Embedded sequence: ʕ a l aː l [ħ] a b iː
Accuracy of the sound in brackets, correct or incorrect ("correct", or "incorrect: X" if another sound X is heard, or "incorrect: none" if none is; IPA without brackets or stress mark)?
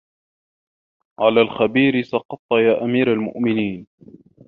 incorrect: x